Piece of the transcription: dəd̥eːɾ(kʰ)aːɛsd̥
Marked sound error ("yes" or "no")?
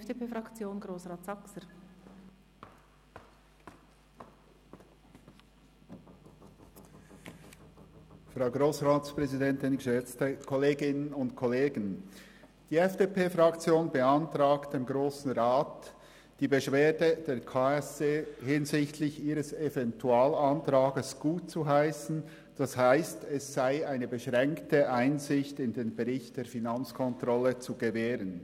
no